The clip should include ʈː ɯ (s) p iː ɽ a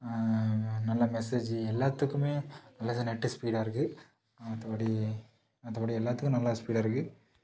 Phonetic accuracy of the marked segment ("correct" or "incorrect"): correct